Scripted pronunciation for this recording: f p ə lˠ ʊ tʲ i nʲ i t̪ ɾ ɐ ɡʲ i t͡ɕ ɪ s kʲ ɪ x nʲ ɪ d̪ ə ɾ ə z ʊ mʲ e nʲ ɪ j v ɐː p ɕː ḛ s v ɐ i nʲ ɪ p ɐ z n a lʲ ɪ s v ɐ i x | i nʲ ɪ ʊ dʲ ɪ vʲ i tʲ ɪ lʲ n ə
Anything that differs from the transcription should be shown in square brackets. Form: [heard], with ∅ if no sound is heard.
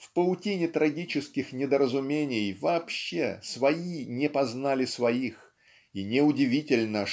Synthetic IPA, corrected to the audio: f p ə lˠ ʊ tʲ i nʲ [ɪ] t̪ ɾ ɐ ɡʲ i t͡ɕ ɪ s kʲ ɪ x nʲ ɪ d̪ ə ɾ ə z ʊ mʲ e nʲ ɪ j v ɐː p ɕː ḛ s v ɐ i nʲ ɪ p ɐ z n a lʲ ɪ s v ɐ i x | i nʲ ɪ ʊ dʲ ɪ vʲ i tʲ ɪ lʲ n ə